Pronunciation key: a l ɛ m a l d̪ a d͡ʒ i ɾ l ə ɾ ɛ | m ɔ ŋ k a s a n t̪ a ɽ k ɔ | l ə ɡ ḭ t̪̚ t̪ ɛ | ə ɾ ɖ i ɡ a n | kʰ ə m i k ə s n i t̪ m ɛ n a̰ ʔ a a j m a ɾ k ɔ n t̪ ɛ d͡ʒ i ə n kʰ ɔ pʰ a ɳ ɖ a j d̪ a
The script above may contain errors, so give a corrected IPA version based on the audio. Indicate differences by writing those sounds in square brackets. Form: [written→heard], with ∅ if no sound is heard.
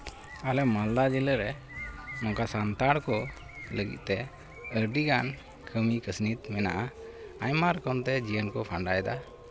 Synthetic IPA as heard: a l ɛ m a l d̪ a d͡ʒ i [ɾ→∅] l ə ɾ ɛ | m ɔ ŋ k a s a n t̪ a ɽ k ɔ | l ə ɡ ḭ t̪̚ t̪ ɛ | ə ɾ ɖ i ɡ a n | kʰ ə m i k ə s n i t̪ m ɛ n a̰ ʔ a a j m a ɾ k ɔ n t̪ ɛ d͡ʒ i ə n [kʰ→k] ɔ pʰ a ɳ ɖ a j d̪ a